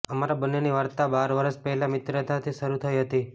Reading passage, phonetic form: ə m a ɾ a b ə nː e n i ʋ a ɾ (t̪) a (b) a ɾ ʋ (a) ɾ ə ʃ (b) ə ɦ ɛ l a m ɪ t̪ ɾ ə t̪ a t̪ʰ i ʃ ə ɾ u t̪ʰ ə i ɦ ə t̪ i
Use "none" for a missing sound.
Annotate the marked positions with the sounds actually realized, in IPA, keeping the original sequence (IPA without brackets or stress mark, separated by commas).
t̪, b, ə, p